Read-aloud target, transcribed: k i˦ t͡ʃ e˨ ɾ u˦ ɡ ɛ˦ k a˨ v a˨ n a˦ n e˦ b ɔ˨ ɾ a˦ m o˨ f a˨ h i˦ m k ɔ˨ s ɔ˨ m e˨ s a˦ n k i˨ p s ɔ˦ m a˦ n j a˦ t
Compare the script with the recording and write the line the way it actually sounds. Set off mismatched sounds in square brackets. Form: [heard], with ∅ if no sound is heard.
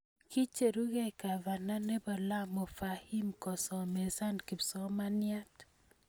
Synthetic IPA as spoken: k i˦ t͡ʃ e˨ ɾ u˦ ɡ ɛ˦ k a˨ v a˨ n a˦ n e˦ b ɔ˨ [l] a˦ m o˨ f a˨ h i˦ m k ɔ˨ s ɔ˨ m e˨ s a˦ n k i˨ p s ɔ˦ m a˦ n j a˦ t

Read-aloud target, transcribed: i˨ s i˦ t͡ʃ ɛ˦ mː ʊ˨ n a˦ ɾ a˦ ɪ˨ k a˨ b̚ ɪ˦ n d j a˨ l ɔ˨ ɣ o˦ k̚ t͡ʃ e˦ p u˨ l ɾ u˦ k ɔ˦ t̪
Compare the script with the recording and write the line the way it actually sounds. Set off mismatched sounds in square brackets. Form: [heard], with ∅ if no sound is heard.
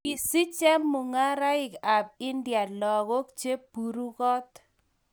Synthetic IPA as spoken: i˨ s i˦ t͡ʃ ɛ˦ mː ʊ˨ [ŋ] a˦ ɾ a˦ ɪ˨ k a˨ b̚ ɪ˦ n d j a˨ l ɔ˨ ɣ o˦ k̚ t͡ʃ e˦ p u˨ [∅] ɾ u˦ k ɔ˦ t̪

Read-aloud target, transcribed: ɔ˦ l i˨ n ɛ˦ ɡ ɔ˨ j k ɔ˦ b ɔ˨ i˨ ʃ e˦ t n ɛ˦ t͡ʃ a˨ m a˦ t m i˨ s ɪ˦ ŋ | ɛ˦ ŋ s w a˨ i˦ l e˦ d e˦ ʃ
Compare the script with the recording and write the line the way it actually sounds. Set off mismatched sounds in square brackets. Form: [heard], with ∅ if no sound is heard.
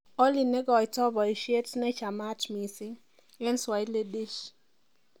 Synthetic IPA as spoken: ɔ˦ l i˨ n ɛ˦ ɡ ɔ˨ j [t] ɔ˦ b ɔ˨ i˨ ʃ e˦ t n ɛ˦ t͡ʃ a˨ m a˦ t m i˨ s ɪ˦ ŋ | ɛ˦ [n] s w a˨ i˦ l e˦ d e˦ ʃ

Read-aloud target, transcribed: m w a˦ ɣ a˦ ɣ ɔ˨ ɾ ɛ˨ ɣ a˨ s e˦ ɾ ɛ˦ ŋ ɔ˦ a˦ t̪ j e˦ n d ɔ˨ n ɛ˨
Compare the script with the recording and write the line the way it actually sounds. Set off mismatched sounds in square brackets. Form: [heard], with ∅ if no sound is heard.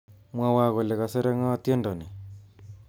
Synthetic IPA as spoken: m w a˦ [w] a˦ ɣ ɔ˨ [l] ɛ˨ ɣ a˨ s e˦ ɾ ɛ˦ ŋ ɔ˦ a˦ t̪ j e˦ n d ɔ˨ n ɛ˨

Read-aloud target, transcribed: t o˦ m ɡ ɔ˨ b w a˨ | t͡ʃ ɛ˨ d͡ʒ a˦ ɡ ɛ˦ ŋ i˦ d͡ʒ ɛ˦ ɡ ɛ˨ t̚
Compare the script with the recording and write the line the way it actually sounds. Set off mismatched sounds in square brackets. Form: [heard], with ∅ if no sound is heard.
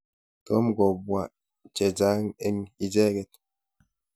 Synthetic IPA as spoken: t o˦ m ɡ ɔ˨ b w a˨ | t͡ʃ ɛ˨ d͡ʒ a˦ [ŋ] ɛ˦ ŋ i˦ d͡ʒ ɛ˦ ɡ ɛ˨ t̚

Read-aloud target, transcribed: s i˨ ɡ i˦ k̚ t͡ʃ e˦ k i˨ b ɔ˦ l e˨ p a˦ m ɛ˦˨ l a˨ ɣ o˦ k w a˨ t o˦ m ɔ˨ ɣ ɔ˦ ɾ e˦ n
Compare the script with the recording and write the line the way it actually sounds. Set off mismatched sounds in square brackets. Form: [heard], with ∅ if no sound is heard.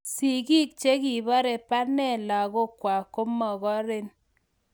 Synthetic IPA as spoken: s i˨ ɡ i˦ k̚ t͡ʃ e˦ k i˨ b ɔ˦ [ɾ] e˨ p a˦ [n] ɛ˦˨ l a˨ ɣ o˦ k w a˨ [k] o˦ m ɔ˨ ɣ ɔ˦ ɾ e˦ n

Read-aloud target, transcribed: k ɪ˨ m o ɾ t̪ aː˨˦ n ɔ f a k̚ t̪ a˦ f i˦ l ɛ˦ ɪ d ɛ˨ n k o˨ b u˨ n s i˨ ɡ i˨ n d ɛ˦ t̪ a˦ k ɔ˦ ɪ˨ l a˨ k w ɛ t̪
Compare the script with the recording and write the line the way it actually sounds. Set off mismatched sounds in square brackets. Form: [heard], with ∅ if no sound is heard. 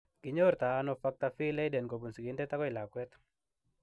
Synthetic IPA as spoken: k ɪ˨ [ɲ] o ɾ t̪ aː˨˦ n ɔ f a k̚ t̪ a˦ f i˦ l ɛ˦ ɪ d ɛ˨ n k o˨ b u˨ n s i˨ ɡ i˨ n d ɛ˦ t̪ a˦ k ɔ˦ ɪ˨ l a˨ k w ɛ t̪

